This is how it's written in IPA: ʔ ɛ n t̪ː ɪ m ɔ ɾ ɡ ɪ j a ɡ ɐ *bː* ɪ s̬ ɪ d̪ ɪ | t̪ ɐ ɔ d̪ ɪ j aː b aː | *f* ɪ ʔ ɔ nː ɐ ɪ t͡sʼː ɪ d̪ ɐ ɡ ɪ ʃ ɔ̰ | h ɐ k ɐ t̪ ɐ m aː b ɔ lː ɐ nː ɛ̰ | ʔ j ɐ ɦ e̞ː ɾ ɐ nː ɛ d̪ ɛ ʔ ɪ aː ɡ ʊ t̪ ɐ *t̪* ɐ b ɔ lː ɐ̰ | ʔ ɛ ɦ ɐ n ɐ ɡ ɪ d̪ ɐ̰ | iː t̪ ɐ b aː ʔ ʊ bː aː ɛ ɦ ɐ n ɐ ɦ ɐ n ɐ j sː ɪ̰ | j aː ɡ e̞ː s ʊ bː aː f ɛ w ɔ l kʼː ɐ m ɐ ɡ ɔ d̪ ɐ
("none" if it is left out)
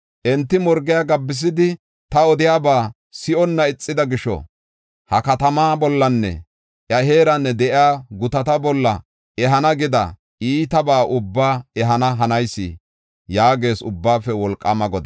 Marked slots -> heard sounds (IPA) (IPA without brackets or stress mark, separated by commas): bː, s, t̪